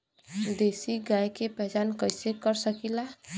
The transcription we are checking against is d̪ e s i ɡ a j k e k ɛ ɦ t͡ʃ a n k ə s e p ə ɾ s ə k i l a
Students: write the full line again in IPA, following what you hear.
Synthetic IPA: d̪ e s i ɡ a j k e p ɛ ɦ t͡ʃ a n k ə s e k ə ɾ s ə k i l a